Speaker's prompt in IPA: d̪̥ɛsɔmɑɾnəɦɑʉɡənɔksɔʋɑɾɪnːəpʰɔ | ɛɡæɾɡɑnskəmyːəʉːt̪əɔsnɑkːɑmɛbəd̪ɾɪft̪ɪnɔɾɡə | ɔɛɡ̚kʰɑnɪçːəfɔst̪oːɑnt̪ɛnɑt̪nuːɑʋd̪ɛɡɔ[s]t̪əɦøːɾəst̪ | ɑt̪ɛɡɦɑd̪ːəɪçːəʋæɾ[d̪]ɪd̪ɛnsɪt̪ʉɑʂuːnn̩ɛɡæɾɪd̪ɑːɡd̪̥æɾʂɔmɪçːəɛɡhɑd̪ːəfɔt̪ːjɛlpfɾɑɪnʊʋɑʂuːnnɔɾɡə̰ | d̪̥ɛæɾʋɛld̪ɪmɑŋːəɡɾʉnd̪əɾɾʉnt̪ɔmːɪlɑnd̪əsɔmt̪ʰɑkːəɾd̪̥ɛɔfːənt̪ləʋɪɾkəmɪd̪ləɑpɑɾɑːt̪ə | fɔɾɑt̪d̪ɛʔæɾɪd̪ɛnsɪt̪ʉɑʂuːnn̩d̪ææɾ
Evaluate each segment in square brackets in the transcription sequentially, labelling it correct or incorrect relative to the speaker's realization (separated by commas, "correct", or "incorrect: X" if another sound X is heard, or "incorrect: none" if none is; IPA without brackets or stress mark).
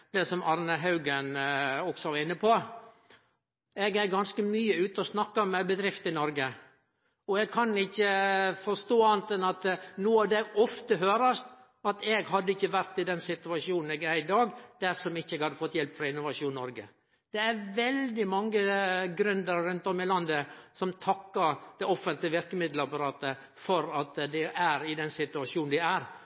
incorrect: f, incorrect: t̪